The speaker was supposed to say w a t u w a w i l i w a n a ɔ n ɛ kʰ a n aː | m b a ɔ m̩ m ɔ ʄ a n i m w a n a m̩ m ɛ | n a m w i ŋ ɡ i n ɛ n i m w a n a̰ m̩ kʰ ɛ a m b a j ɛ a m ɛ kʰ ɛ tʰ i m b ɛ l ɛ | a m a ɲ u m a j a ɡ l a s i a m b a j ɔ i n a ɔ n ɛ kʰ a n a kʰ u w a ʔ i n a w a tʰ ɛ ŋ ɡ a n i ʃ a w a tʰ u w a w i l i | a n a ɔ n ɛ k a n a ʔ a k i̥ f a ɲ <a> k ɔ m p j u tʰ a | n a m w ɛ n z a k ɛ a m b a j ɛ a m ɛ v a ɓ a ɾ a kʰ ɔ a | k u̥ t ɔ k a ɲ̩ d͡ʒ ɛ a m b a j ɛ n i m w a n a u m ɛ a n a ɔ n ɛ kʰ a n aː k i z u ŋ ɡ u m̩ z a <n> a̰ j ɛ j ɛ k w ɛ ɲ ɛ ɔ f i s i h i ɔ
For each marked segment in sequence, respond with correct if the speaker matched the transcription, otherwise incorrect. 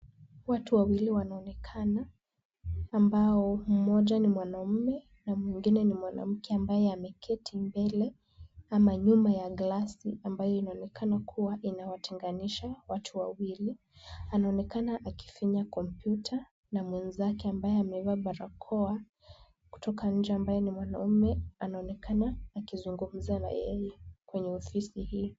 correct, correct

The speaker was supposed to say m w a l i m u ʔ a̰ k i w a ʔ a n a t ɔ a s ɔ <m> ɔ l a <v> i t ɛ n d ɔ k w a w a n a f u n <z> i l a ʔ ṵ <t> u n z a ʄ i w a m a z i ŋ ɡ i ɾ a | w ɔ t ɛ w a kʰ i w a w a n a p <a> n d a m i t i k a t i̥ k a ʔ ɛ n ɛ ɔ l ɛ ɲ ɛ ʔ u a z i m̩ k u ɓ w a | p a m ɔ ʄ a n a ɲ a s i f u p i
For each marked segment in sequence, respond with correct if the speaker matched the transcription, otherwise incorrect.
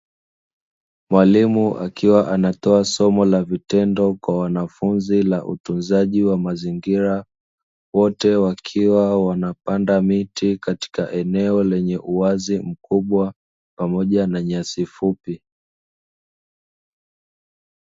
correct, correct, correct, correct, correct

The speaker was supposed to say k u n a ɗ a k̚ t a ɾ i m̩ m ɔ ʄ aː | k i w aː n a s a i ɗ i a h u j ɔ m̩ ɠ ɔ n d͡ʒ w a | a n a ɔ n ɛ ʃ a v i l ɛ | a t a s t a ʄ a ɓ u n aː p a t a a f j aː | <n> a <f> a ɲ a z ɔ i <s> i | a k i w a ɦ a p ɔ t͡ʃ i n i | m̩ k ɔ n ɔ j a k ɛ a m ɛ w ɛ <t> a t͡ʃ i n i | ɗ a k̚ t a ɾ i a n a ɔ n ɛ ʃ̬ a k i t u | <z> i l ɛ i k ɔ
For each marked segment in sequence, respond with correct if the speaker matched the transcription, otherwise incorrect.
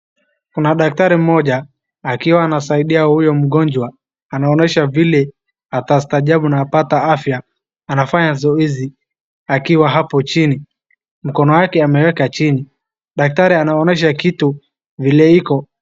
correct, correct, incorrect: z, incorrect: k, incorrect: v

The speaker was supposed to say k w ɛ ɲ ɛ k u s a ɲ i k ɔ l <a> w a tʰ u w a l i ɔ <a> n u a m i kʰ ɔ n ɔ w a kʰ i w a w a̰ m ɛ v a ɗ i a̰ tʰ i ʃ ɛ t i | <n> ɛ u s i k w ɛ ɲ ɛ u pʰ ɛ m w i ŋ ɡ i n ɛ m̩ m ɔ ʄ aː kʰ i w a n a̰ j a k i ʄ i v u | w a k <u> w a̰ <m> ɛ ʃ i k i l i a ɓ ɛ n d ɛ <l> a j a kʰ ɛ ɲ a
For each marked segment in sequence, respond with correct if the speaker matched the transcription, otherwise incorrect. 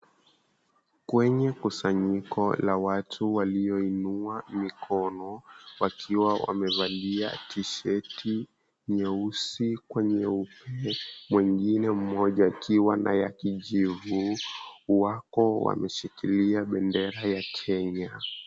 correct, incorrect: i, incorrect: ɲ, incorrect: ɔ, correct, incorrect: ɾ

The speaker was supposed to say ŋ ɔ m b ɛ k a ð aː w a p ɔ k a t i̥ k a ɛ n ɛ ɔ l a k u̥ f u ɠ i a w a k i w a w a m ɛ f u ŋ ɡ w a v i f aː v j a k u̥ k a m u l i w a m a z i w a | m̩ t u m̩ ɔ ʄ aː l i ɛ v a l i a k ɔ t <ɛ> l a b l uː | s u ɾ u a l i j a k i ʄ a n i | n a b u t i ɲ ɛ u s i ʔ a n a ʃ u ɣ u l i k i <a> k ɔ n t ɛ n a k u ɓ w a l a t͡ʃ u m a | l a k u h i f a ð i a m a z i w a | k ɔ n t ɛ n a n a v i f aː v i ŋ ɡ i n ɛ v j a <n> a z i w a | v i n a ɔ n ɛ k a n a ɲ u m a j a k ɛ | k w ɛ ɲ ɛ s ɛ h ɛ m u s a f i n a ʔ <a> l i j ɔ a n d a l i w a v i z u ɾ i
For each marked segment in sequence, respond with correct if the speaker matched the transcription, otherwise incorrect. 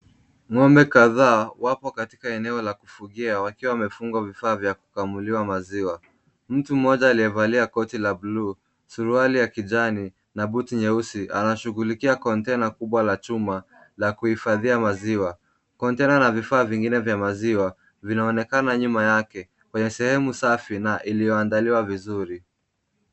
incorrect: i, correct, incorrect: m, incorrect: i

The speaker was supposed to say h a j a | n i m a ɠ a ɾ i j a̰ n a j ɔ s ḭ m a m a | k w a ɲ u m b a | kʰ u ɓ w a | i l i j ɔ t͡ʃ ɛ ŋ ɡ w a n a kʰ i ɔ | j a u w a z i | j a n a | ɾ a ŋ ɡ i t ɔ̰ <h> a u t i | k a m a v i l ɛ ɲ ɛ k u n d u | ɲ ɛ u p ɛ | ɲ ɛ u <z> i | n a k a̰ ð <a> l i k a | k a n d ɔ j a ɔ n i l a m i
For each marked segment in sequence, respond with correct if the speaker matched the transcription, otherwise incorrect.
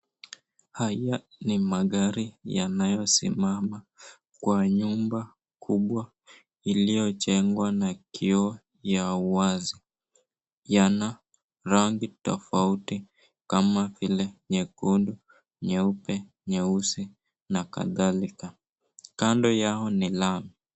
incorrect: f, incorrect: s, correct

